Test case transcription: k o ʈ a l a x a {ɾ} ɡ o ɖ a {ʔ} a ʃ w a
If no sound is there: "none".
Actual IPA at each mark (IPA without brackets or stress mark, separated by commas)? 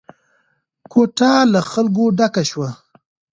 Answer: l, k